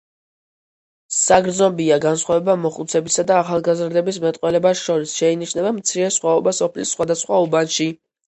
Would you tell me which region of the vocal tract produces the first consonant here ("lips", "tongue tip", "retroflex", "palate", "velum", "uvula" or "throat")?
tongue tip